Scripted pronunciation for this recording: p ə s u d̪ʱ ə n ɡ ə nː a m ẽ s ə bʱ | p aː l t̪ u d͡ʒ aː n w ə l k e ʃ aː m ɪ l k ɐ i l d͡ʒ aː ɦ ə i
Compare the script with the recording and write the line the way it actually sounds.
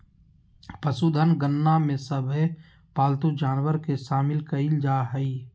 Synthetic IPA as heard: p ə s u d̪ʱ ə n ɡ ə nː a m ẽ s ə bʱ | p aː l t̪ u d͡ʒ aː n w ə ɾ k e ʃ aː m ɪ l k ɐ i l d͡ʒ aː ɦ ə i